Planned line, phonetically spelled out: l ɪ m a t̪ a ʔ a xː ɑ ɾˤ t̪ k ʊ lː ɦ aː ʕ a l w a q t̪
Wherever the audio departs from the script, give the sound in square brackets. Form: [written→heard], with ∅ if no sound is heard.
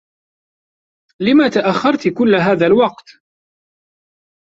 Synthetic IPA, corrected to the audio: l ɪ m a t̪ a ʔ a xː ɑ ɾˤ t̪ k ʊ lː ɦ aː [ʕ→ð] a l w [a→ɑ] q t̪